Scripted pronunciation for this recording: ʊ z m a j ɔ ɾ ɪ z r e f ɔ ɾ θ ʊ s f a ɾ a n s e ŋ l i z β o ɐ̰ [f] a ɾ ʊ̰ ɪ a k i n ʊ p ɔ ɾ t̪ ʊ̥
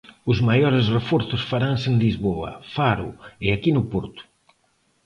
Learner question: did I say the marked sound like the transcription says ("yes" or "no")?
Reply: yes